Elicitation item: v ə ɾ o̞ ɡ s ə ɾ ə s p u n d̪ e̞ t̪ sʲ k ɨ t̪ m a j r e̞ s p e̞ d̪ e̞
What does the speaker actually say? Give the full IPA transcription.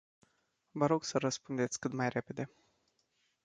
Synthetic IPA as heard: v ə ɾ o̞ ɡ s ə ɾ ə s p u n d̪ e̞ t̪ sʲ k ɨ t̪ m a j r e̞ p e̞ d̪ e̞